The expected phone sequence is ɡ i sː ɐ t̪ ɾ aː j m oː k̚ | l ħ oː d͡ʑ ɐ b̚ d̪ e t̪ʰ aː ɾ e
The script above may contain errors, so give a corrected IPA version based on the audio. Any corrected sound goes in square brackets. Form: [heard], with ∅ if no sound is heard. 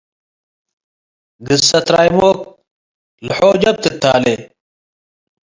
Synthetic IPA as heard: ɡ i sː ɐ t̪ ɾ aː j m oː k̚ | l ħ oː d͡ʑ ɐ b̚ [t̪] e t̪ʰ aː [l] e